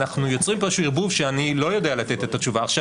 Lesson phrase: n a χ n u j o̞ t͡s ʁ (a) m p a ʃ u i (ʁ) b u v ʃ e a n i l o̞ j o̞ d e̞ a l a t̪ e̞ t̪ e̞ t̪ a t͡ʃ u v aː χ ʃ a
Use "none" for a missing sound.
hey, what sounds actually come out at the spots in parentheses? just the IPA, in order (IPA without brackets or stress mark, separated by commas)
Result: i, ʁ